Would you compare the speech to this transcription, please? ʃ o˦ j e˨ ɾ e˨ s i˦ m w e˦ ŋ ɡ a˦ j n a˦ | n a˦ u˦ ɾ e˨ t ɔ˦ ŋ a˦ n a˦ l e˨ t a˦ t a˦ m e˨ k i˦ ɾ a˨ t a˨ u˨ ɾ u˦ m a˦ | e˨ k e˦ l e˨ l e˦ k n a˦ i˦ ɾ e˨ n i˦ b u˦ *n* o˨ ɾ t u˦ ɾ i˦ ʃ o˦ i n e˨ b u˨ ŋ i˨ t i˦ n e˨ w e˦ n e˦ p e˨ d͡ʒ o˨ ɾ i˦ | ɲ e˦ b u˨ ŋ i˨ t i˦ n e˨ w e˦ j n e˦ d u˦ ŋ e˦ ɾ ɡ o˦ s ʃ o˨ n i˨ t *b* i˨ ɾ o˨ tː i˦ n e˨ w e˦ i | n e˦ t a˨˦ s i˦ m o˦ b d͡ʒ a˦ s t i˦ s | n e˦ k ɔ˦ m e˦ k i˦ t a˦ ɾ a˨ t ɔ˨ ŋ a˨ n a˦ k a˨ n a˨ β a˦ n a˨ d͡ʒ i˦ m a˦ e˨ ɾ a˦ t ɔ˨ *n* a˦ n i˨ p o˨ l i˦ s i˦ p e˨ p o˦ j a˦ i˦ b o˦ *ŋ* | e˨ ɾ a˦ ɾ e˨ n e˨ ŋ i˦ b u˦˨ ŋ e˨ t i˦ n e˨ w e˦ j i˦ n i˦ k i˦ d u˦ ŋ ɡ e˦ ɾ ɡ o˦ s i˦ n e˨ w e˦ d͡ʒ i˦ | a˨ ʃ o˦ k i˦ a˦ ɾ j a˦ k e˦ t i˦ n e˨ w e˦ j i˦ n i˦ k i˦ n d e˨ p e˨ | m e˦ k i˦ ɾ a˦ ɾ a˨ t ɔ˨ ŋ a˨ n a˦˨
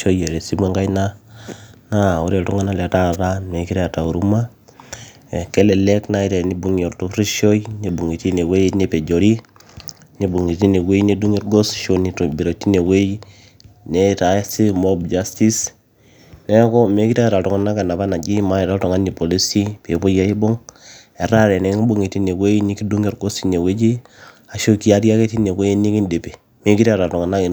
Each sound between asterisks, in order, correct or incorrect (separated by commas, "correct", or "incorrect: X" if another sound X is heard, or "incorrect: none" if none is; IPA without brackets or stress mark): incorrect: ŋ, correct, incorrect: ŋ, correct